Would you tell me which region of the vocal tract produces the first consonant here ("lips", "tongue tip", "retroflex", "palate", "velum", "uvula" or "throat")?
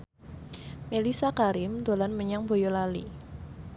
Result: lips